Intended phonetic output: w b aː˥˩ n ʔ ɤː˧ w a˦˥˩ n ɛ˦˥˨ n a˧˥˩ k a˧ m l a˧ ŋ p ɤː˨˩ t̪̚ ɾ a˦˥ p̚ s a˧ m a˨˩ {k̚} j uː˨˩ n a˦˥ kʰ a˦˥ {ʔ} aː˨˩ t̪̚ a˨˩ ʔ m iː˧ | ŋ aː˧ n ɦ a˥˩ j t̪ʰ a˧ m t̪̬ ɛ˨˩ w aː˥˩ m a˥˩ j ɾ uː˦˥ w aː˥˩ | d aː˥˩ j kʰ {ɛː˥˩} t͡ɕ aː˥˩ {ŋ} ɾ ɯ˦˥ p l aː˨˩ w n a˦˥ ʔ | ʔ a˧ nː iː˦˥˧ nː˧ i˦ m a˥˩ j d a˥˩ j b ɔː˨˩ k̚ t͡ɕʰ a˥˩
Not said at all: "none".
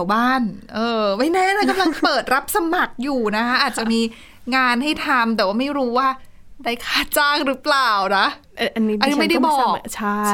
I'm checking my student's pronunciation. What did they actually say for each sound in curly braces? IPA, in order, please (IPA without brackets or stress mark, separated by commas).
k̚, ʔ, aː˥˩, ŋ